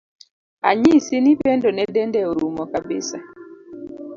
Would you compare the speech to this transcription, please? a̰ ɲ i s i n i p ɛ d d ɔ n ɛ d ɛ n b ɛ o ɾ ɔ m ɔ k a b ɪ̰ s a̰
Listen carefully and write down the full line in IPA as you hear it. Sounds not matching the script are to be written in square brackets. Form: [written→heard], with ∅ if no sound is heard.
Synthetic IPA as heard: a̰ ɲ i s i n i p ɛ [d→n] d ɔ n ɛ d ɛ n [b→d] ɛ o ɾ [ɔ→u] m ɔ k a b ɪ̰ s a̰